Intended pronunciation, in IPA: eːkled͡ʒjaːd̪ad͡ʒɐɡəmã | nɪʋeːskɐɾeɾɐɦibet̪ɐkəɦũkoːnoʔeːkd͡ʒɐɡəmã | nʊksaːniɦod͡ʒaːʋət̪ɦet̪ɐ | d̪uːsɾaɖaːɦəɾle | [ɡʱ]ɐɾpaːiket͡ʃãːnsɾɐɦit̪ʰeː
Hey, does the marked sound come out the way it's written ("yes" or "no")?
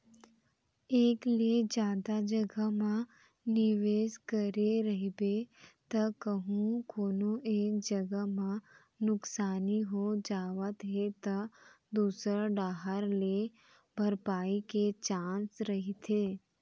no